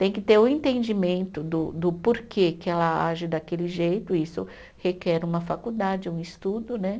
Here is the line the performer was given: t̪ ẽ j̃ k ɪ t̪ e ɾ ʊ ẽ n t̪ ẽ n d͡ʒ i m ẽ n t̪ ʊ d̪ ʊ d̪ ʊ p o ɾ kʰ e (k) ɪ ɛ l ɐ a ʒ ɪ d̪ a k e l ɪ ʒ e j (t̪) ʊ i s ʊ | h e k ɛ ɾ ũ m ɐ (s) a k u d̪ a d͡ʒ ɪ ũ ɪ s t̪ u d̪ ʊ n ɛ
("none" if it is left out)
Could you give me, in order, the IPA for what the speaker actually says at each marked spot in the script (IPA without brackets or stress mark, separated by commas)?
k, t̪, f